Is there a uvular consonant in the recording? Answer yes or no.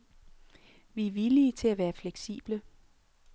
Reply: no